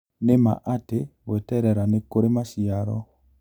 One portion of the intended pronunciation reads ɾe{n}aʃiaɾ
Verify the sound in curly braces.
incorrect: m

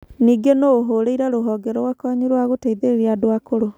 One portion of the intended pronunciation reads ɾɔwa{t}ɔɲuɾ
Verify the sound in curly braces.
incorrect: k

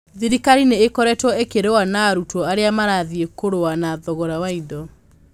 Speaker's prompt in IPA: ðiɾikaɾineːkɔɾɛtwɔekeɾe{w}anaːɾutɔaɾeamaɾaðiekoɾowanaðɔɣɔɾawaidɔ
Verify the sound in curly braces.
correct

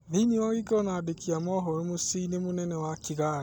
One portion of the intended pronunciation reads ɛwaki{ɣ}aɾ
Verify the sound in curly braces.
correct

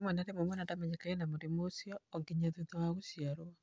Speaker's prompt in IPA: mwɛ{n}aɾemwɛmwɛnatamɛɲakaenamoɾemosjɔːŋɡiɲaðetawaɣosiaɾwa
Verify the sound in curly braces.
correct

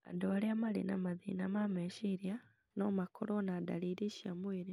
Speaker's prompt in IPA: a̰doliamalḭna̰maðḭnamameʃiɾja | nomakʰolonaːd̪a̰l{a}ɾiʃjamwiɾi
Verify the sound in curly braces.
incorrect: i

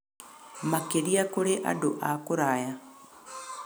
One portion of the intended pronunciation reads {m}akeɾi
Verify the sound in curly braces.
correct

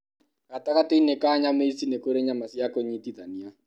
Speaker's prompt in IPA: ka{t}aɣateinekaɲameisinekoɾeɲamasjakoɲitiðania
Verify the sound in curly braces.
correct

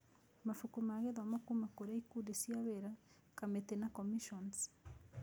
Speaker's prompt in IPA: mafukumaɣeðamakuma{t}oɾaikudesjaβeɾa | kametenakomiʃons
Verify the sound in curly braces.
incorrect: k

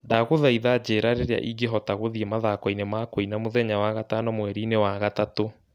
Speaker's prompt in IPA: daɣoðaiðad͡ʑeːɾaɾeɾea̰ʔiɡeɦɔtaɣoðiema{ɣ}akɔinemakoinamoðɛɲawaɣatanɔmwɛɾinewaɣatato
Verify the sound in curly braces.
incorrect: ð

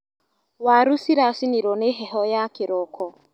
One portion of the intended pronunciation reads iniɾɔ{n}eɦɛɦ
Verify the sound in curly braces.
correct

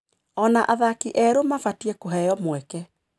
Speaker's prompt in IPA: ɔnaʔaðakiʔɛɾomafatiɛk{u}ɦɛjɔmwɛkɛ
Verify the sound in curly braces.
incorrect: o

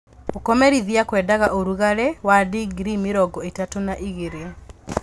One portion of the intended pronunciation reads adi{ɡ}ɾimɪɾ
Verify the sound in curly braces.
correct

